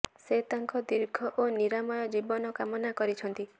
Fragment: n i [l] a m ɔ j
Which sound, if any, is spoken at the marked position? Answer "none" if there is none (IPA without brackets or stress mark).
ɾ